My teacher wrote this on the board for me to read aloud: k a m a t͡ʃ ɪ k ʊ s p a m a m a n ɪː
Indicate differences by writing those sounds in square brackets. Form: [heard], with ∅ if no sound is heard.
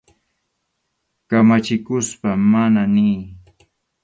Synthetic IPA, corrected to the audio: k a m a t͡ʃ ɪ k ʊ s p a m a [n] a n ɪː